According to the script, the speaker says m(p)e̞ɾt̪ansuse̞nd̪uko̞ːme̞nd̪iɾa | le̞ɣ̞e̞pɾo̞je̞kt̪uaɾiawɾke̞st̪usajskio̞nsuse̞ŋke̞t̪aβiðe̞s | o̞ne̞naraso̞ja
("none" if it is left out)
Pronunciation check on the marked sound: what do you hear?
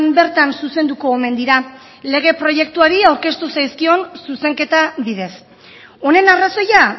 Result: b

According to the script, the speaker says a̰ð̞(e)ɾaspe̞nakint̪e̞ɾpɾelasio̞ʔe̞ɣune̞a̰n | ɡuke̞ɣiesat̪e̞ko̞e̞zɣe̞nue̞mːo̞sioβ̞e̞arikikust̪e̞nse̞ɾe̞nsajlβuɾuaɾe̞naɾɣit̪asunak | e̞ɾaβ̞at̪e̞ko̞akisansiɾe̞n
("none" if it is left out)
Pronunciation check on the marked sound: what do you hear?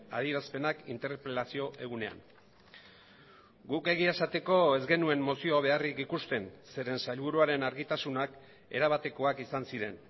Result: i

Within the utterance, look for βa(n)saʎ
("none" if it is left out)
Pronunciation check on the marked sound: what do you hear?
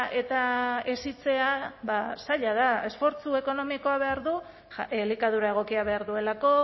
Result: none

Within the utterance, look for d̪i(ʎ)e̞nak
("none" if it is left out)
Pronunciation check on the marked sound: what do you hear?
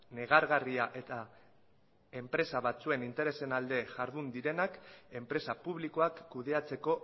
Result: ɾ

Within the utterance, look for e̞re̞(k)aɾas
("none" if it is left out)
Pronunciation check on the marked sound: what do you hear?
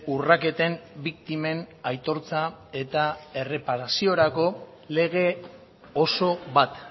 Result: p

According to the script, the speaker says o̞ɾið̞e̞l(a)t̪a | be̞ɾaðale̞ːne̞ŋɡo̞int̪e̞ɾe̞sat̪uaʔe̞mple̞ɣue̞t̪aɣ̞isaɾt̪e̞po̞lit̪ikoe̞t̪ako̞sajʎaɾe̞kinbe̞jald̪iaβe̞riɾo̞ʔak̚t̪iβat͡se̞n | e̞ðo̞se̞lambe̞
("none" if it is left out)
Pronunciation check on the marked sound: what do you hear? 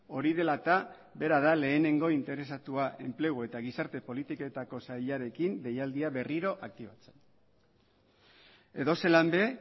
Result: a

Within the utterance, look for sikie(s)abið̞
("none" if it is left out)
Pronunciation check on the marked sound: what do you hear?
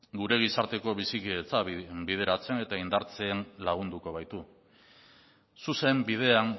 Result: t͡s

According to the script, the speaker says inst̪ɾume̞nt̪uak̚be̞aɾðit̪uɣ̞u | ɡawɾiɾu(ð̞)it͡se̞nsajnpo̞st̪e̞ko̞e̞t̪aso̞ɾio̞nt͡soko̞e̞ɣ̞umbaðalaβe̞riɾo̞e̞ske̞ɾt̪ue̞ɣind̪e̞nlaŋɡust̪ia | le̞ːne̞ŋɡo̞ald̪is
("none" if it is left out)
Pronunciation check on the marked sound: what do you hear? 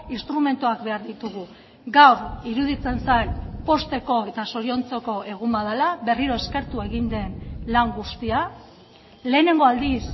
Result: ð̞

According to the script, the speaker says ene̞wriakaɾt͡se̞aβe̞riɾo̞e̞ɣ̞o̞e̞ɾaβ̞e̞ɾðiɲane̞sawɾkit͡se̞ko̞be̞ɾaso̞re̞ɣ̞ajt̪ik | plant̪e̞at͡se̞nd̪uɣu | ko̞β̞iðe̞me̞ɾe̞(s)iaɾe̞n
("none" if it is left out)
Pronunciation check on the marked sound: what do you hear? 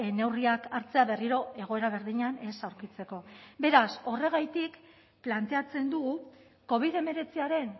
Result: t͡s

